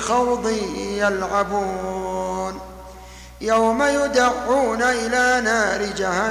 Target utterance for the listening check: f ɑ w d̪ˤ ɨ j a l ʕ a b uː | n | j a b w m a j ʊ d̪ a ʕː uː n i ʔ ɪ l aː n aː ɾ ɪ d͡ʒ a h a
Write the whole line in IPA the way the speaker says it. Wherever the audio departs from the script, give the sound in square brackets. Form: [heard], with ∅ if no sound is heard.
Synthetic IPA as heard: [x] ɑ w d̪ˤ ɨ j a l ʕ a b uː | n | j a [∅] w m a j ʊ d̪ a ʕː uː n [a] ʔ ɪ l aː n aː ɾ ɪ d͡ʒ a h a